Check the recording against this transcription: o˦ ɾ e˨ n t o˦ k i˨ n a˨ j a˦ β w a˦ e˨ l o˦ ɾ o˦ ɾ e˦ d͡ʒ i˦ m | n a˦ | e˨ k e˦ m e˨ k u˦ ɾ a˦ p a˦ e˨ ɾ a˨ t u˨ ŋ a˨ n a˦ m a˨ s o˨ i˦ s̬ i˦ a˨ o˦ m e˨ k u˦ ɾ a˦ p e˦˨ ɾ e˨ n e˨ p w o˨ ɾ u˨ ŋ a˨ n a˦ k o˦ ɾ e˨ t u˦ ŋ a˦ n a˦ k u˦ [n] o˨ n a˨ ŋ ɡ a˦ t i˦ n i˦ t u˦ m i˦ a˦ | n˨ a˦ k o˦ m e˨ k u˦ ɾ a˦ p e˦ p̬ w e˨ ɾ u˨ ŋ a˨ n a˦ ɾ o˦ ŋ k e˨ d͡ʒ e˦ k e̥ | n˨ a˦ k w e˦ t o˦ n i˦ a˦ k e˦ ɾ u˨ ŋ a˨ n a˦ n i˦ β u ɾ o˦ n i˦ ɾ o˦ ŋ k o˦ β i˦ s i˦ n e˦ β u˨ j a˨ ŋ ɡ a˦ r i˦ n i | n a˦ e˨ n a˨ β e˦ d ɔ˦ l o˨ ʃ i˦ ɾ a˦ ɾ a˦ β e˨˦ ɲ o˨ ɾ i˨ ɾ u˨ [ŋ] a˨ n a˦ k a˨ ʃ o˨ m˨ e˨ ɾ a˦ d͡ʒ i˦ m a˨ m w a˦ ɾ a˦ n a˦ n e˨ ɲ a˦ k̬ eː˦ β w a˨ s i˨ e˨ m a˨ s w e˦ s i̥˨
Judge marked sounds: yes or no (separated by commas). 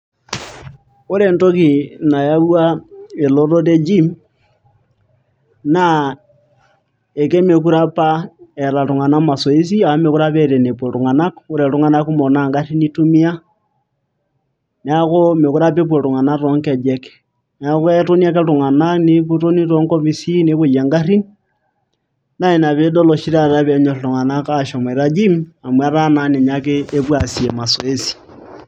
no, yes